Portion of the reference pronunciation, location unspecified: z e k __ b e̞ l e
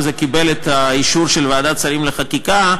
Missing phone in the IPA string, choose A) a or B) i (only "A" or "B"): B